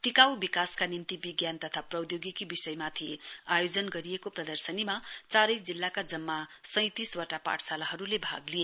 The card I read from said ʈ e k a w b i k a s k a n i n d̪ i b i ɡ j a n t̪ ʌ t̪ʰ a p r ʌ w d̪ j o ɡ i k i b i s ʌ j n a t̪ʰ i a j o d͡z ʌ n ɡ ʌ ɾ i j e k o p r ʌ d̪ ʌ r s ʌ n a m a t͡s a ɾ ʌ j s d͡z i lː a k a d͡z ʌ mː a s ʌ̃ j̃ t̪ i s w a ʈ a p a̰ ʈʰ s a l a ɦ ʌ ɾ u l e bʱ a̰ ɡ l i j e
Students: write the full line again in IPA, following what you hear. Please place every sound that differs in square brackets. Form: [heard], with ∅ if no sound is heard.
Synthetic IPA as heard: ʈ [i] k a w b i k a s k a n i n [t̪] i b i ɡ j a n t̪ ʌ t̪ʰ a p r ʌ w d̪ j o ɡ i k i b i s ʌ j [m] a t̪ʰ i a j o d͡z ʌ n ɡ ʌ ɾ i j e k o p r ʌ d̪ ʌ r s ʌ n [i] m a t͡s a ɾ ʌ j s d͡z i lː a k a d͡z ʌ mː a s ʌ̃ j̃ t̪ i s w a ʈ a p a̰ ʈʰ s a l a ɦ ʌ ɾ u l e bʱ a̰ ɡ l i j e

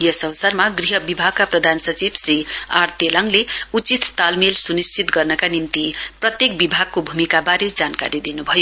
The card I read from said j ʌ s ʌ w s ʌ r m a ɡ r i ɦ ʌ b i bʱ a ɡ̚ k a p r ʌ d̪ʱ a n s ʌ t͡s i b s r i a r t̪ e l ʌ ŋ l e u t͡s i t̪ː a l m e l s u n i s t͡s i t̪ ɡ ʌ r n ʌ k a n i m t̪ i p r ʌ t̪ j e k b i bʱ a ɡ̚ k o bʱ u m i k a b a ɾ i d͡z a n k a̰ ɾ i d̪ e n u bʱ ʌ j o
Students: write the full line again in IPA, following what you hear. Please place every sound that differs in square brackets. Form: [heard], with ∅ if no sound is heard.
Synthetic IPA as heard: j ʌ s ʌ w s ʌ r m a ɡ r i ɦ ʌ b i bʱ a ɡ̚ k a p r ʌ d̪ʱ a n s ʌ t͡s i b s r i a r t̪ e l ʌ ŋ l e u t͡s i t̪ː a l m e l s u n i s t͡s i t̪ ɡ ʌ r n ʌ k a n i m t̪ i p r ʌ t̪ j e k b i bʱ a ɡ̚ k o bʱ u m i k a b a ɾ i d͡z a n k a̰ ɾ i d̪ [i] n u bʱ ʌ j o

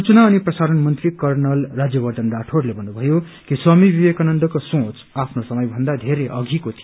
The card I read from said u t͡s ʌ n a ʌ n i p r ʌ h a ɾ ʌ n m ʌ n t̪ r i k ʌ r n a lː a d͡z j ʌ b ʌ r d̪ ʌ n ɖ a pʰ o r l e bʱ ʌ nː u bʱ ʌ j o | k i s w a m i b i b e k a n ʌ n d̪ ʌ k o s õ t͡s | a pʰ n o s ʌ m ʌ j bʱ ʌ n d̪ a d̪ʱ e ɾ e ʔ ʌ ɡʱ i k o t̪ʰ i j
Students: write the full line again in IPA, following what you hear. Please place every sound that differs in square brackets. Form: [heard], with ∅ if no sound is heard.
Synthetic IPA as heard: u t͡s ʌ n a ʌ n i p r ʌ [s] a ɾ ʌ n m ʌ n t̪ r i k ʌ r n [ʌ] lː a d͡z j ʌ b ʌ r d̪ ʌ n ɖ a [ʈʰ] o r l e bʱ ʌ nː u bʱ ʌ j o | k i s w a m i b i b e k a n ʌ n d̪ ʌ k o s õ t͡s | a pʰ n o s ʌ m ʌ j bʱ ʌ n d̪ a d̪ʱ e ɾ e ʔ ʌ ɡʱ i k o t̪ʰ i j

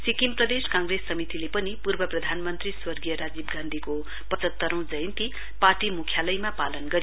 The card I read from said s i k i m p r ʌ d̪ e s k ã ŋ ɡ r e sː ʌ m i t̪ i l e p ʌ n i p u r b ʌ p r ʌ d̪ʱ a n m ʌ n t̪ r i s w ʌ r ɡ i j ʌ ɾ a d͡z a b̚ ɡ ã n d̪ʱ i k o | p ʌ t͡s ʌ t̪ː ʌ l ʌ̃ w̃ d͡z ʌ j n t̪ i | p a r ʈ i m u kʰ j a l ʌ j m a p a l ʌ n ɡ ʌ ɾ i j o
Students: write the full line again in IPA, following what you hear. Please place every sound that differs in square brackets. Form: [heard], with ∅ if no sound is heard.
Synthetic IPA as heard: s i k i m p r ʌ d̪ e s k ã ŋ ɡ r e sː ʌ m i t̪ i l e p ʌ n i p u r b ʌ p r ʌ d̪ʱ a n m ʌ n t̪ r i s w ʌ r ɡ i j ʌ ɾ a d͡z [i] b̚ ɡ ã n d̪ʱ i k o | p ʌ t͡s ʌ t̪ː ʌ [ɾ] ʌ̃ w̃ d͡z ʌ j n t̪ i | p a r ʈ i m u kʰ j a l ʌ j m a p a l ʌ n ɡ ʌ ɾ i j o

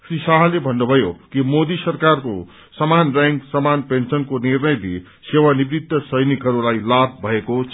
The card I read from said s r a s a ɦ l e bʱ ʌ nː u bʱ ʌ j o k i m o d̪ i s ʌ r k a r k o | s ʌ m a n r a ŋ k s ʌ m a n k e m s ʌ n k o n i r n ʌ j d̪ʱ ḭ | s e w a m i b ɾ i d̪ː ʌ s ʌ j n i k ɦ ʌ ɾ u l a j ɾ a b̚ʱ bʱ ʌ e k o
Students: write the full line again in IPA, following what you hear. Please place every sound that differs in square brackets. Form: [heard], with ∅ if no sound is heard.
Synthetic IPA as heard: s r [i] s a ɦ l e bʱ ʌ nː u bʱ ʌ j o k i m o d̪ i s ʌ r k a r k o | s ʌ m a n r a ŋ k s ʌ m a n [p] e [n] s ʌ n k o n i r n ʌ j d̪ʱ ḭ | s e w a [n] i b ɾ i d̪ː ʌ s ʌ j n i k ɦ ʌ ɾ u l a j [l] a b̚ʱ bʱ ʌ e k o

